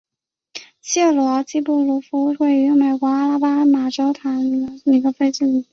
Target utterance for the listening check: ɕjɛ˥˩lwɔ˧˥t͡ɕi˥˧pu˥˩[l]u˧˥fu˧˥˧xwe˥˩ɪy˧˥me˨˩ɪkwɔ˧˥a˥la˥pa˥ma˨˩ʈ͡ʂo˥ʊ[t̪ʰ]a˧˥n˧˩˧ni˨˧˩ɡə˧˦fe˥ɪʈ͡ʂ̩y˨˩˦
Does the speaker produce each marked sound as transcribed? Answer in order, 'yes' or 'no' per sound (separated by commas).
yes, yes